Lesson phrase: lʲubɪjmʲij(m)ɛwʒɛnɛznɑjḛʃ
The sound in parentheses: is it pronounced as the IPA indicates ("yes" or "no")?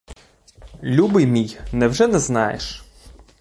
no